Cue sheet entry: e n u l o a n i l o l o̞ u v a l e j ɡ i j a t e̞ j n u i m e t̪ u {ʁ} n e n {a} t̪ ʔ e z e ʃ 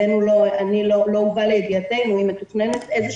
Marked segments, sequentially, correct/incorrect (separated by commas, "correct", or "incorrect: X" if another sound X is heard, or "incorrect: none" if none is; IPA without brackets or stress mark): incorrect: χ, incorrect: e